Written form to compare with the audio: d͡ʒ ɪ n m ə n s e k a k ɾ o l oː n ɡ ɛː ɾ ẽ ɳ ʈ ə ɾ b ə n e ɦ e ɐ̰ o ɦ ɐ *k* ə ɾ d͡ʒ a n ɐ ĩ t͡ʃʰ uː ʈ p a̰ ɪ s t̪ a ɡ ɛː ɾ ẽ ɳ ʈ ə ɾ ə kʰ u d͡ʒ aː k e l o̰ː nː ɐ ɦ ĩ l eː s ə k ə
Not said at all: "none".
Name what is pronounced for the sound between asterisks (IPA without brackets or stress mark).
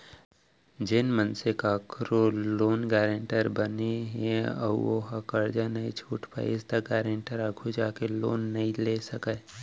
k